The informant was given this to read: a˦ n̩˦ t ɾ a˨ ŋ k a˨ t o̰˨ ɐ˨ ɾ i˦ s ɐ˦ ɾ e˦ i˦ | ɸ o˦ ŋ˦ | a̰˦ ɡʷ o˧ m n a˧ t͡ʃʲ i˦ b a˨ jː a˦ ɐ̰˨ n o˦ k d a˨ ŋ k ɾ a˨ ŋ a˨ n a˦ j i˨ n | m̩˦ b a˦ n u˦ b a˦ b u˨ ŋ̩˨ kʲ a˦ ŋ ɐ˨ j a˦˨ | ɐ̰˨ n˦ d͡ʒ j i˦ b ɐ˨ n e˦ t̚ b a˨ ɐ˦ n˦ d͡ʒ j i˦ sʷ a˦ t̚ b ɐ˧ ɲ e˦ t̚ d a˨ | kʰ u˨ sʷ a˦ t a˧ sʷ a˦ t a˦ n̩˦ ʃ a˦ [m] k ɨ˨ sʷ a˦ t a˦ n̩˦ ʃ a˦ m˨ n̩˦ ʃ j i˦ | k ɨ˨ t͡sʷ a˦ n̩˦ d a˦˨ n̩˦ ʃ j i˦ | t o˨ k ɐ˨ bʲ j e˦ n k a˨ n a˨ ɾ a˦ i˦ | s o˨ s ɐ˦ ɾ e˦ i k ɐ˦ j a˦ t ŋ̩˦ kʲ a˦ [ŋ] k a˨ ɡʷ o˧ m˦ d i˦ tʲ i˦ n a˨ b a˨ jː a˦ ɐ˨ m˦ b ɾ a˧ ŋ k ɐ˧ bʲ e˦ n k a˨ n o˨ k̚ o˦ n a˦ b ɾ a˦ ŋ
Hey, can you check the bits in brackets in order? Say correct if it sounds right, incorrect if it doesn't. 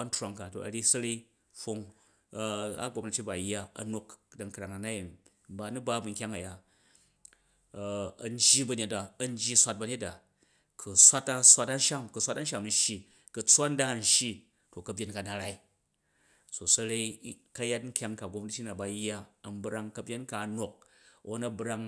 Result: correct, correct

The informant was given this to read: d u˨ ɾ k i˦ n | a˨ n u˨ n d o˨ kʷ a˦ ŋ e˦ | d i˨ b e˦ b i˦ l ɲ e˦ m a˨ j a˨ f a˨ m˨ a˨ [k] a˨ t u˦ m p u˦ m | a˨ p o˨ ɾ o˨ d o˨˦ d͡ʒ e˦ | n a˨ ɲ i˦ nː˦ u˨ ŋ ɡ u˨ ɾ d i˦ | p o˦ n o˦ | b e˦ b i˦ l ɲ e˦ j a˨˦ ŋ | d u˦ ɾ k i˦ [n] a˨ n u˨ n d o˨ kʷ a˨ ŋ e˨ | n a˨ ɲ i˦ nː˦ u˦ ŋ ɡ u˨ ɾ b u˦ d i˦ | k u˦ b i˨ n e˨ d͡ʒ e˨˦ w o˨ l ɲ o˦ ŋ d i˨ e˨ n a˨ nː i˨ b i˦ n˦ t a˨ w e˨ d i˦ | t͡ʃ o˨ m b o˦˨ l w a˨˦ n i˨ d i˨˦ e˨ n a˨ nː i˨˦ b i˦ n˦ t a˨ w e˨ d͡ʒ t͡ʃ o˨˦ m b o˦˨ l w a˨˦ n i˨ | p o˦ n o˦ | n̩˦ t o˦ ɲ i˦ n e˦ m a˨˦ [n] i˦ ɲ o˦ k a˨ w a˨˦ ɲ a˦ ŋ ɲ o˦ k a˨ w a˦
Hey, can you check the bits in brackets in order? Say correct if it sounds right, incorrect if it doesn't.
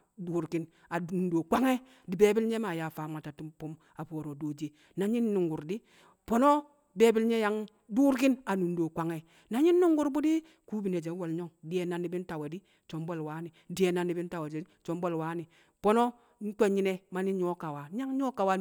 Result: incorrect: t, correct, correct

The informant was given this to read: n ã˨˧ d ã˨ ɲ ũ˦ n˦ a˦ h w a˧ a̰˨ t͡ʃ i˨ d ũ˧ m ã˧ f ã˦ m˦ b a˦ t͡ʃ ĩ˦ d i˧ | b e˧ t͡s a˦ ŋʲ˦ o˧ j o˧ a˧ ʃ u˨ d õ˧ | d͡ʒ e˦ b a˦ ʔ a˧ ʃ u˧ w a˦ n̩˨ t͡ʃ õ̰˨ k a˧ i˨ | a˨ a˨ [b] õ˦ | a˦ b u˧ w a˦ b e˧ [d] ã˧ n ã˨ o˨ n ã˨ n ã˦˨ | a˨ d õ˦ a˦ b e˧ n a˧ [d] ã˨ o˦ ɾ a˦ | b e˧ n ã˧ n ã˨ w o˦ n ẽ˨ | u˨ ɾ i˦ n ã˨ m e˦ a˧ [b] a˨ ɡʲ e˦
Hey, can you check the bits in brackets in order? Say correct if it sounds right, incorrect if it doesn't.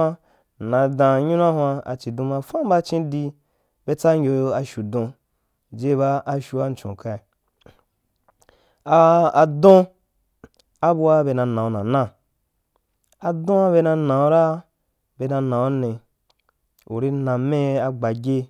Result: incorrect: d, incorrect: n, incorrect: n, incorrect: ɡ͡b

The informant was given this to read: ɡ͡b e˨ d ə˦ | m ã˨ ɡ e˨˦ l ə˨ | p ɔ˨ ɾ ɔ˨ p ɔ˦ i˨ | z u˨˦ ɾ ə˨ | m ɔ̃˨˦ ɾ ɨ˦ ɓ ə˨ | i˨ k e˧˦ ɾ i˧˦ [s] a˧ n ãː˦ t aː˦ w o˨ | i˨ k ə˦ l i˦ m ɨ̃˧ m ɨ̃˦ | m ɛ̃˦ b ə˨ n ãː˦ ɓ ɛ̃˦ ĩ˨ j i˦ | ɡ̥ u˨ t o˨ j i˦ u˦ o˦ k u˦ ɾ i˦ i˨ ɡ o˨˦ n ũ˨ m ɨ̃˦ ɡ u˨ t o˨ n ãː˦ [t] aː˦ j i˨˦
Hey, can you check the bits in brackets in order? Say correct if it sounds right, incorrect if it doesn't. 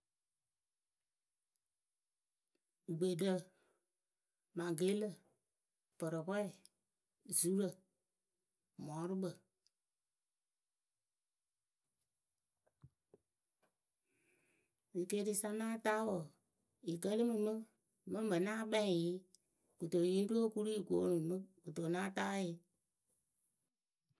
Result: correct, correct

